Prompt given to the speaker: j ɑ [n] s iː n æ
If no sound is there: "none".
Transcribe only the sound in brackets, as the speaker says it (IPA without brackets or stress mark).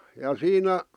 none